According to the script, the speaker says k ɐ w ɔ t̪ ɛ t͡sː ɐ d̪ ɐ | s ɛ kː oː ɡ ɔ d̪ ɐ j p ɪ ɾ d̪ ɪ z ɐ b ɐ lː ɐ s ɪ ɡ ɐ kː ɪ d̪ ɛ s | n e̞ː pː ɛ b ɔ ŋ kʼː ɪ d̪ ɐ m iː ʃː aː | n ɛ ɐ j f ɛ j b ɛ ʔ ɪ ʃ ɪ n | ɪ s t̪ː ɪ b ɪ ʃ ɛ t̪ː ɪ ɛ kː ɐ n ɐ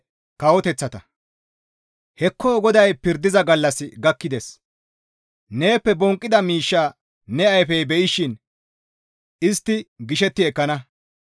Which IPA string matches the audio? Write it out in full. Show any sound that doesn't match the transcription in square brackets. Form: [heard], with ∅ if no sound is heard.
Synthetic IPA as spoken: k ɐ w ɔ t̪ ɛ t͡sː ɐ [t̪] ɐ | [h] ɛ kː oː ɡ ɔ d̪ ɐ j p ɪ ɾ d̪ ɪ z ɐ [ɡ] ɐ lː ɐ s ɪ ɡ ɐ kː ɪ d̪ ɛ s | n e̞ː pː ɛ b ɔ ŋ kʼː ɪ d̪ ɐ m iː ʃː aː | n ɛ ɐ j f ɛ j b ɛ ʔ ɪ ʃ ɪ n | ɪ s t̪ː ɪ [ɡ] ɪ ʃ ɛ t̪ː ɪ ɛ kː ɐ n ɐ